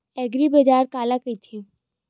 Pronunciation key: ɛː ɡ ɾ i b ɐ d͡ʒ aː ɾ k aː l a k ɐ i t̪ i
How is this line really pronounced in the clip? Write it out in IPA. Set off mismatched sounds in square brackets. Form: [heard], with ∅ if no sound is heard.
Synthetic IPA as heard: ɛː ɡ ɾ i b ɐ d͡ʒ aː ɾ k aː l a k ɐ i [t̪ʰ] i